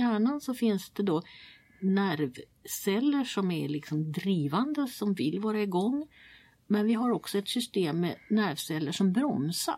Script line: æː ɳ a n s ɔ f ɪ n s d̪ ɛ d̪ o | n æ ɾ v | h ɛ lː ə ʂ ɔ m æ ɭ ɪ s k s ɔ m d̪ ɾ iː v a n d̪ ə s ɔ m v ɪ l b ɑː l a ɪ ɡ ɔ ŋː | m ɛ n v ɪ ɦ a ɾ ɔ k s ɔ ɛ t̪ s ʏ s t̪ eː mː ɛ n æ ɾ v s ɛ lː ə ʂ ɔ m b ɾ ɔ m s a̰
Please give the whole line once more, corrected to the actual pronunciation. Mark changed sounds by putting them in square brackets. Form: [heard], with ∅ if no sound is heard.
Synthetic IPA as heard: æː ɳ a n s ɔ f ɪ n s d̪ ɛ d̪ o | n æ ɾ v | [s] ɛ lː ə ʂ ɔ m æ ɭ ɪ [∅] k s ɔ m d̪ ɾ iː v a n d̪ ə s ɔ m v ɪ l [v] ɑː [ɾ] a ɪ ɡ ɔ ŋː | m ɛ n v ɪ ɦ a ɾ ɔ k s ɔ ɛ t̪ s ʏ s t̪ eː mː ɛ n æ ɾ v s ɛ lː ə ʂ ɔ m b ɾ ɔ m s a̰